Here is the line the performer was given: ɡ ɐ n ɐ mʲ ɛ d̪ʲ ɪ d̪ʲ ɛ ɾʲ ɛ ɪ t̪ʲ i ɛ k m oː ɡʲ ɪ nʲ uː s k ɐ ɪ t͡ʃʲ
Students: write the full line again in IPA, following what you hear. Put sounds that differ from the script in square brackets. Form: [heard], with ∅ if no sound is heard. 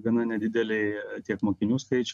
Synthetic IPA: ɡ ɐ n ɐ [nʲ] ɛ d̪ʲ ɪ d̪ʲ ɛ [lʲ] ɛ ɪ t̪ʲ i ɛ k m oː [kʲ] ɪ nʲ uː s k ɐ ɪ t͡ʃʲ